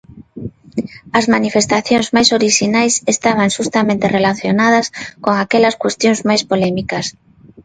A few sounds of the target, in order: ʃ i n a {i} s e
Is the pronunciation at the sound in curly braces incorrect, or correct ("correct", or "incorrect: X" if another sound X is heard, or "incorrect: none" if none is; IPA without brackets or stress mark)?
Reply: incorrect: j